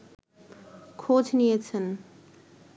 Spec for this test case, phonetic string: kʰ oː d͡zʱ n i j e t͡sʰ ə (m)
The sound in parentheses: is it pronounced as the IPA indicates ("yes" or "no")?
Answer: no